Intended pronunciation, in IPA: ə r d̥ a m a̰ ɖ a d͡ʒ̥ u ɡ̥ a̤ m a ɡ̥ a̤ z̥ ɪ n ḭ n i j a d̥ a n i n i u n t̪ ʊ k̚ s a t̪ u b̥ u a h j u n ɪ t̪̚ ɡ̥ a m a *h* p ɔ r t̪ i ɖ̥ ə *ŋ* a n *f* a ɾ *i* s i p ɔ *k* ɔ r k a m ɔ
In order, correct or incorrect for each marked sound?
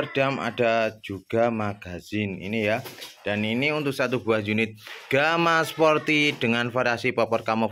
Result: incorrect: s, correct, correct, incorrect: a, incorrect: p

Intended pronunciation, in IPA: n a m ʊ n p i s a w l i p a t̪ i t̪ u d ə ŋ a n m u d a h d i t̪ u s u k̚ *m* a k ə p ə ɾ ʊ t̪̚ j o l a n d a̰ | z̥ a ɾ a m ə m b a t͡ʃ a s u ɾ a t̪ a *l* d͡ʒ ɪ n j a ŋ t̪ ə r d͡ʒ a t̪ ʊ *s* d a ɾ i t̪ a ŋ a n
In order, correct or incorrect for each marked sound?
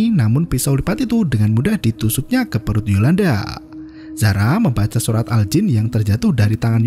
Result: incorrect: ɲ, correct, incorrect: h

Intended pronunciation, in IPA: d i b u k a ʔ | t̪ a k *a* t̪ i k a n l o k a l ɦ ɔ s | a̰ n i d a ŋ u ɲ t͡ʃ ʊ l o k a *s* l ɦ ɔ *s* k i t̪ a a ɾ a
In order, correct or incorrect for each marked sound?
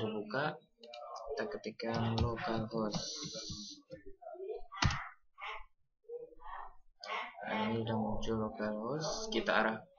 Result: incorrect: ə, incorrect: none, correct

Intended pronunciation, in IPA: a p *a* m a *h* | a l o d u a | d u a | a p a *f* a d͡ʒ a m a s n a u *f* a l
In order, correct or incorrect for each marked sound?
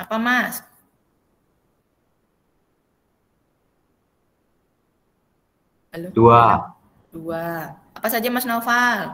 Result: correct, incorrect: s, incorrect: s, correct

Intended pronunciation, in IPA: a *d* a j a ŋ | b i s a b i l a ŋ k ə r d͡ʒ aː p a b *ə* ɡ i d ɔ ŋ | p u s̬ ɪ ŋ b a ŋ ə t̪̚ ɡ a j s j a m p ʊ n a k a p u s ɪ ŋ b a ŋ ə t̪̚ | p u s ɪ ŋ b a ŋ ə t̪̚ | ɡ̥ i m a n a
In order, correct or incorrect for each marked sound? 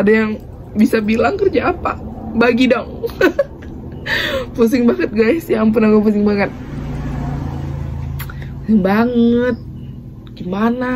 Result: correct, incorrect: a

